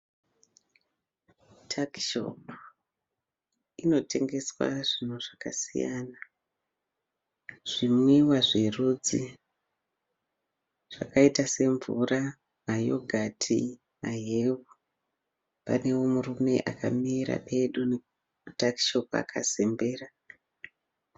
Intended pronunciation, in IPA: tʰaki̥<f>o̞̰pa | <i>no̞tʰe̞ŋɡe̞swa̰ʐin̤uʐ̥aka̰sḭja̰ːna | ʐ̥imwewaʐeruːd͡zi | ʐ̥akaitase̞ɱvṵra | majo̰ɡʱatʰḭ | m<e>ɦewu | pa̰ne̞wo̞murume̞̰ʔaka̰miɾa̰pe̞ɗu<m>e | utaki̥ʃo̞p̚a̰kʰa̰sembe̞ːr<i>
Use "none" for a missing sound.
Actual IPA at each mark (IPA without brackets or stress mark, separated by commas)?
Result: ʃ, i, a, n, a